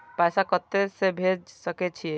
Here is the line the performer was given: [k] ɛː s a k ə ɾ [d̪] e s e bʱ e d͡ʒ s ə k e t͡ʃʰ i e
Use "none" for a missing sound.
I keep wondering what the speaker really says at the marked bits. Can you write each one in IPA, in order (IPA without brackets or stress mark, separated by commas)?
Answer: p, t̪